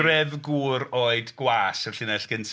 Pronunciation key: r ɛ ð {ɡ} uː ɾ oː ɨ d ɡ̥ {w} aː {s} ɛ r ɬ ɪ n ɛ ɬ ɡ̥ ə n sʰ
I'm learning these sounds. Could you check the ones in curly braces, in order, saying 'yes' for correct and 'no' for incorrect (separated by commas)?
yes, yes, yes